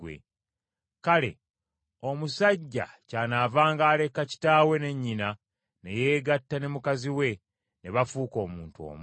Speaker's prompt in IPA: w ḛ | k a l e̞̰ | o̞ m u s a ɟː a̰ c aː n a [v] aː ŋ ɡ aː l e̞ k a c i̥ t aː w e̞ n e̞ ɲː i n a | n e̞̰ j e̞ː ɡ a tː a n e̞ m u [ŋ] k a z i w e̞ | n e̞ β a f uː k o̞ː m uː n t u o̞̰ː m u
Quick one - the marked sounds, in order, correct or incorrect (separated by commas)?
correct, incorrect